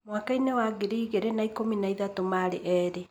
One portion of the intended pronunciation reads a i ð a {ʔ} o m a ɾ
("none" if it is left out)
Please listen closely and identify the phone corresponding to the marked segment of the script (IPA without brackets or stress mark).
t